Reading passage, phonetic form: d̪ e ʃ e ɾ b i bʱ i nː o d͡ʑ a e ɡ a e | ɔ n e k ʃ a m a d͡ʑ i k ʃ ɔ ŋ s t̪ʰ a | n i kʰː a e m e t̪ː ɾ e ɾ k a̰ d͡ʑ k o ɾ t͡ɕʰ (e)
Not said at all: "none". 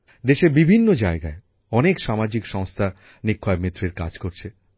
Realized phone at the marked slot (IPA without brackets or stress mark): e